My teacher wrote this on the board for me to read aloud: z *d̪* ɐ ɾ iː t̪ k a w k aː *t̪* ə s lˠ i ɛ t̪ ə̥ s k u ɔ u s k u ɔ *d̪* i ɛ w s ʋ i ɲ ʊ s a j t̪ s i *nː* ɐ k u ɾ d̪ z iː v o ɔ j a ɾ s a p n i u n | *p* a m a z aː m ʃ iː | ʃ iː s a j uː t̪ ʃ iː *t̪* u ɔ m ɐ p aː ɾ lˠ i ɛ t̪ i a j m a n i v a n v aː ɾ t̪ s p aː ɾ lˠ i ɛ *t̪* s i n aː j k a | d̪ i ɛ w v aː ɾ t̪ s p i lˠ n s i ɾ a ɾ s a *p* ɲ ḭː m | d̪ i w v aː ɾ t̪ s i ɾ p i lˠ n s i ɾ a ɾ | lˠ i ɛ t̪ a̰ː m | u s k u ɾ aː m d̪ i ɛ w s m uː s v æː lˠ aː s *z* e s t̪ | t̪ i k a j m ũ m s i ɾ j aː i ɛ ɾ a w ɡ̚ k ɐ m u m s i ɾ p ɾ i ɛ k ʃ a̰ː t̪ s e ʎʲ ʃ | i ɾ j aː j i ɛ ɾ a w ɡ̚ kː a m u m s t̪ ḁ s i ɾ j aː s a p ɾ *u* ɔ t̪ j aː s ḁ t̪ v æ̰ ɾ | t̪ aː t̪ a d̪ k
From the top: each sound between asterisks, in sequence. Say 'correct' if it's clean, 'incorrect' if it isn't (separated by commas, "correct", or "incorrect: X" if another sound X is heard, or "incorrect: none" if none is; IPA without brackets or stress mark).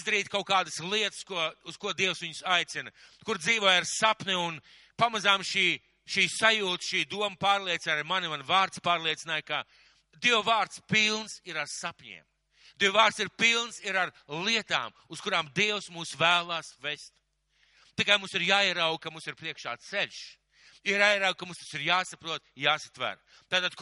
correct, incorrect: d̪, correct, incorrect: n, correct, incorrect: d̪, correct, correct, incorrect: v, correct